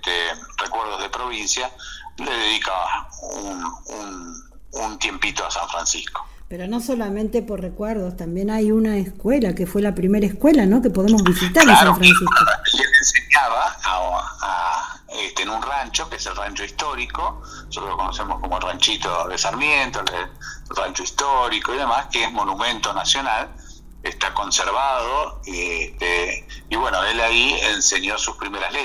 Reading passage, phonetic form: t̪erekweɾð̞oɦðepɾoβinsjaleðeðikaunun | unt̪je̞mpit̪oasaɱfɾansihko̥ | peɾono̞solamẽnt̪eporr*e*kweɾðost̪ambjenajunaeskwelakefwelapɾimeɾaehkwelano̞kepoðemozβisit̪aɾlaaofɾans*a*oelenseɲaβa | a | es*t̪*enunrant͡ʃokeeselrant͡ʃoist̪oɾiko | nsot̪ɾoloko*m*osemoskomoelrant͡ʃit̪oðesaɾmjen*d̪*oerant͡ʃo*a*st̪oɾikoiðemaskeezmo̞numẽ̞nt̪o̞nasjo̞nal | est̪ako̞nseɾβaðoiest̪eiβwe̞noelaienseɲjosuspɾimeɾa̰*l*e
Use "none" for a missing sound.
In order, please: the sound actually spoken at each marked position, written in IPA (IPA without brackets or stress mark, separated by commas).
e, i, t̪, n, t̪, i, l